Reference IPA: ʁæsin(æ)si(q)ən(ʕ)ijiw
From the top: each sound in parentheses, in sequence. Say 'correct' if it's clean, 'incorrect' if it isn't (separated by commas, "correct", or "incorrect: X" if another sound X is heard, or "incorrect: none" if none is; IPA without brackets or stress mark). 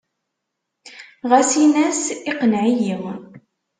correct, correct, correct